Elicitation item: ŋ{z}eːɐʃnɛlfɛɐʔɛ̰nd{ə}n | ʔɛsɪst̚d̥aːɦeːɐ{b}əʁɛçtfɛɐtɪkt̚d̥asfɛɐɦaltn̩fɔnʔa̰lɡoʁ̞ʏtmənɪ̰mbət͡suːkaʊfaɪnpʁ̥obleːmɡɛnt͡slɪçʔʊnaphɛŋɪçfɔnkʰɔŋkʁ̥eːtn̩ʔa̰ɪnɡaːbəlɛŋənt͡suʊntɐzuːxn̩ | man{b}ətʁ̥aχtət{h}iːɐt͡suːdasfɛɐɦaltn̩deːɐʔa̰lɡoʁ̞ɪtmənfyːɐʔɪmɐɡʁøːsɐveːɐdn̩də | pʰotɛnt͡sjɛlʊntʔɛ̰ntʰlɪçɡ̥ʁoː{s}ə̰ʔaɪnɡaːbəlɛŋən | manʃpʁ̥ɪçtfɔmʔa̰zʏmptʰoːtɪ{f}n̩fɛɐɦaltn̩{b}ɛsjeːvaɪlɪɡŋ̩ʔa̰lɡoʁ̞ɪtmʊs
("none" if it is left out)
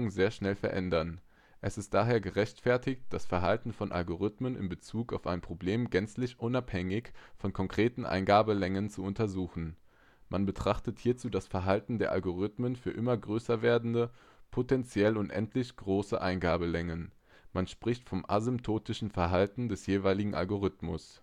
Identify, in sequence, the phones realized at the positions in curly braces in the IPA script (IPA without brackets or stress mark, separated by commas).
z, ɐ, ɡ, b, h, s, ʃ, d